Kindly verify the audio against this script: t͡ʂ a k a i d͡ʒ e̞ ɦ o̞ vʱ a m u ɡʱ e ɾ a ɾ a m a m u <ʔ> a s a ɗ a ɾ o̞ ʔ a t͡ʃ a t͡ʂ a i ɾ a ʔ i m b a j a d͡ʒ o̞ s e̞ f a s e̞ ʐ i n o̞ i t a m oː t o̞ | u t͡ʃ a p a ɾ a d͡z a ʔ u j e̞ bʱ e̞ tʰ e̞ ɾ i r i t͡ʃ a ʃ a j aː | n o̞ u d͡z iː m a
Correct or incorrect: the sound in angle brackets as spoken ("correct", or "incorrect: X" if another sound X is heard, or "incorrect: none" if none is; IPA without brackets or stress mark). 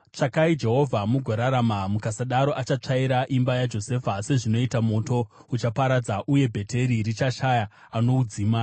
incorrect: k